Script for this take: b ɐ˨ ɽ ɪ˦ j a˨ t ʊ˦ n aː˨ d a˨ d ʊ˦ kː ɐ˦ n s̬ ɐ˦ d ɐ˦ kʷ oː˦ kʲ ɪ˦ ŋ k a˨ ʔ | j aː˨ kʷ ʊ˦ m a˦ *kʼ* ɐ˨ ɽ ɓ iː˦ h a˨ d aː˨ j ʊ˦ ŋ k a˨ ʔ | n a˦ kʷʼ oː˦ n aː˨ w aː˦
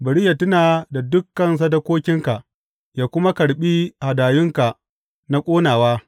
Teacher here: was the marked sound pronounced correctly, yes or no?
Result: no